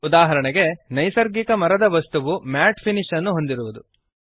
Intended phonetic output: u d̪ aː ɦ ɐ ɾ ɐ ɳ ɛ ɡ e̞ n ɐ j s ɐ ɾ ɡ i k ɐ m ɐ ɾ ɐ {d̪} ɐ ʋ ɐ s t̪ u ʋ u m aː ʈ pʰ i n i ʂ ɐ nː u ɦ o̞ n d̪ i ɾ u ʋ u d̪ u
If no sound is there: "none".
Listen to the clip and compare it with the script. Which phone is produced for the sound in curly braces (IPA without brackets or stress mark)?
d̪